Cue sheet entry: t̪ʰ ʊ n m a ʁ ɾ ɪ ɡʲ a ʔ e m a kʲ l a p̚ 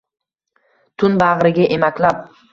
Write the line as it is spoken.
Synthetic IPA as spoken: t̪ʰ ʊ n b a ʁ ɾ ɪ ɡʲ a ʔ e m a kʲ l a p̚

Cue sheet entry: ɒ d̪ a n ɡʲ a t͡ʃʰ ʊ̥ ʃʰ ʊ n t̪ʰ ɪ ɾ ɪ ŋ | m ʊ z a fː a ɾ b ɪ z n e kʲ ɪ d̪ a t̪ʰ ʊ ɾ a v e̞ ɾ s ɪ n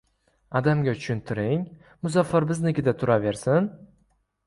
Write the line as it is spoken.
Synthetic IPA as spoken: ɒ d̪ a m ɡʲ a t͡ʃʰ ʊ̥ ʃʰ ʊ n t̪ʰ ɪ ɾ ɪ ŋ | m ʊ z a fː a ɾ b ɪ z n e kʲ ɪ d̪ a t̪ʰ ʊ ɾ a v e̞ ɾ s ɪ n

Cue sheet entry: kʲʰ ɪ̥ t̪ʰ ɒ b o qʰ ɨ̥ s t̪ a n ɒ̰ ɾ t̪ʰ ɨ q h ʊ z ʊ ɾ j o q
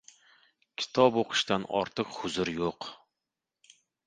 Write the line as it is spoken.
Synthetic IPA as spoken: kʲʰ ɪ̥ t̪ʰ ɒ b o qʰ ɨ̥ ʃ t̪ a n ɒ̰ ɾ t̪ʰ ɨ q h ʊ z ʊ ɾ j o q

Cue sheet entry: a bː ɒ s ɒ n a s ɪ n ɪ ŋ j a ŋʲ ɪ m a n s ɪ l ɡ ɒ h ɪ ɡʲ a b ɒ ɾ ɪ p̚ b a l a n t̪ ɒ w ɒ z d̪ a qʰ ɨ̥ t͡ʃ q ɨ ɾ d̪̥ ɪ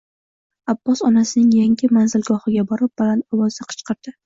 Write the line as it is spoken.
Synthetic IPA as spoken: a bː ɒ s ɒ n a s ɪ n ɪ ŋ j a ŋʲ ɪ m a n z ɪ l ɡ ɒ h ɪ ɡʲ a b ɒ ɾ ɪ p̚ b a l a n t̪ ɒ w ɒ z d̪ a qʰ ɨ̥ t͡ʃ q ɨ ɾ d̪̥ ɪ

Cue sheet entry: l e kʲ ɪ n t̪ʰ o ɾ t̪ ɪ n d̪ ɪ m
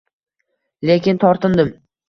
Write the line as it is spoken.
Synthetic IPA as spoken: l e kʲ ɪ n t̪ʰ ɒ ɾ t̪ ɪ n d̪ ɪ m

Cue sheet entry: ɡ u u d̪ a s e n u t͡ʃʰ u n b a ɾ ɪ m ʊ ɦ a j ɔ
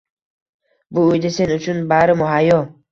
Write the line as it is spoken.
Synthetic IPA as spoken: b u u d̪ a s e n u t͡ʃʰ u n b a ɾ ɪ m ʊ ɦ a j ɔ

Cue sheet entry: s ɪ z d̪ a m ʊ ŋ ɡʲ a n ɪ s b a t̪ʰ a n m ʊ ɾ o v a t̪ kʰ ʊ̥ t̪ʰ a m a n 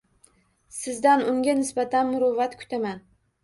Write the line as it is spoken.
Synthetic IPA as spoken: s ɪ z d̪ a n ʊ ŋ ɡʲ a n ɪ s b a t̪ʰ a n m ʊ ɾ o v a t̪ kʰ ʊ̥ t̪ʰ a m a n

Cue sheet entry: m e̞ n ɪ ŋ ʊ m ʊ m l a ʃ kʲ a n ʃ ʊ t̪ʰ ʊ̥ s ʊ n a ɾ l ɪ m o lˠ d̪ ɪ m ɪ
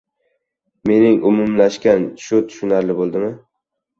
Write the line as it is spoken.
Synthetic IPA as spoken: m e̞ n ɪ ŋ ʊ m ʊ m l a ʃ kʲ a n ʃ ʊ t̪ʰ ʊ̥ ʃ ʊ n a ɾ l ɪ b o lˠ d̪ ɪ m ɪ

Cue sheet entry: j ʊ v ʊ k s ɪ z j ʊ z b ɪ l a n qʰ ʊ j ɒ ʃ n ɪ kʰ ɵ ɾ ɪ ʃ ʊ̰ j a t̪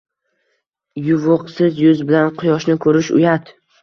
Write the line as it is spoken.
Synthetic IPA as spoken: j ʊ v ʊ q s ɪ z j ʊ z b ɪ l a n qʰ ʊ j ɒ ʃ n ɪ kʰ ɵ ɾ ɪ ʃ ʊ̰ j a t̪

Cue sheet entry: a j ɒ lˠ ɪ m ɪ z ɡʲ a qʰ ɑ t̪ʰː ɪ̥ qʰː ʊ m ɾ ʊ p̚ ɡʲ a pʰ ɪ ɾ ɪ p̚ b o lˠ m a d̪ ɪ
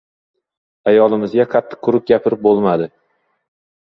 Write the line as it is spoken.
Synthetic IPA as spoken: a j ɒ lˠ ɪ m ɪ z ɡʲ a qʰ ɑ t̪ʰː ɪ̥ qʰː ʊ ɾ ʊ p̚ ɡʲ a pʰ ɪ ɾ ɪ p̚ b o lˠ m a d̪ ɪ

